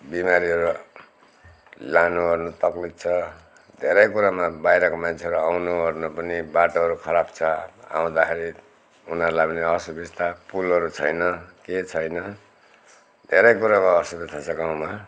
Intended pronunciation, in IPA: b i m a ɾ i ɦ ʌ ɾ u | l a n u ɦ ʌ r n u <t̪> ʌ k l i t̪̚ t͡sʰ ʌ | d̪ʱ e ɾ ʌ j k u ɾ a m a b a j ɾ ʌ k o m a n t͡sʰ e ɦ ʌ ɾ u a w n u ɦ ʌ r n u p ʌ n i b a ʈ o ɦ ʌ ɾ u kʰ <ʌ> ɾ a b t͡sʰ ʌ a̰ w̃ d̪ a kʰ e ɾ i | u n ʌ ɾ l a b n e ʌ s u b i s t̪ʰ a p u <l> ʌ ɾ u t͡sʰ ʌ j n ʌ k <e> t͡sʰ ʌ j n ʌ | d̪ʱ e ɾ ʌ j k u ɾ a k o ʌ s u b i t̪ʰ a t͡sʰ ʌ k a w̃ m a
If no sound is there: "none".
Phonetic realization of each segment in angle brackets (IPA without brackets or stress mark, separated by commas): t̪, ʌ, l, e